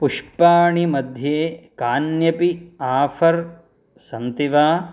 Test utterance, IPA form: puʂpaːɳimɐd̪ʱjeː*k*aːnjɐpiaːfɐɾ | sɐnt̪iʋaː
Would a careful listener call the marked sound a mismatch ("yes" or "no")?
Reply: no